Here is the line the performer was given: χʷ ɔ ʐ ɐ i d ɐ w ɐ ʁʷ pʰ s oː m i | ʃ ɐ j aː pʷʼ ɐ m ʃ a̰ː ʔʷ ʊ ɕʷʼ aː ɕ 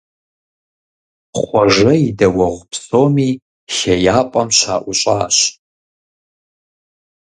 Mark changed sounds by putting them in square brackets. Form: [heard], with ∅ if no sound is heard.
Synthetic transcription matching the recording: χʷ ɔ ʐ ɐ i d ɐ w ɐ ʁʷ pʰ s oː m i | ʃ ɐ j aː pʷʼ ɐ m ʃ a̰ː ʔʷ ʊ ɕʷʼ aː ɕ